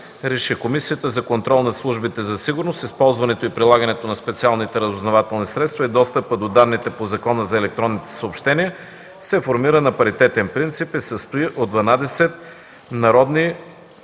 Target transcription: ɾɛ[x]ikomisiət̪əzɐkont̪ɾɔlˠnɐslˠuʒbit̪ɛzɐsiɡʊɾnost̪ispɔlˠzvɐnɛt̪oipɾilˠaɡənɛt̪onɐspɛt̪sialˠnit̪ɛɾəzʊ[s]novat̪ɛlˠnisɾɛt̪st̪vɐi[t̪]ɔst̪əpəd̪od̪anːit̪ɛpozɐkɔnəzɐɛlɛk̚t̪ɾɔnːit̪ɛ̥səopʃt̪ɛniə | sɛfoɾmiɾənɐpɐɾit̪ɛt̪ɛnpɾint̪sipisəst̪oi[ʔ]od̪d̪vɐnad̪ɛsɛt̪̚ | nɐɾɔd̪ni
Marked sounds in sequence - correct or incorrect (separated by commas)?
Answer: incorrect, incorrect, incorrect, correct